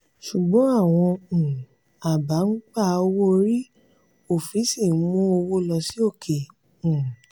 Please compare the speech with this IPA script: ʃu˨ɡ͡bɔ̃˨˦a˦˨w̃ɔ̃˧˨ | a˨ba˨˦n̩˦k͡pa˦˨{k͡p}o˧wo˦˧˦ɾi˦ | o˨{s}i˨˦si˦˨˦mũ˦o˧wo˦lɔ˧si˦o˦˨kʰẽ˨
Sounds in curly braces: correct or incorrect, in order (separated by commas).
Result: incorrect, incorrect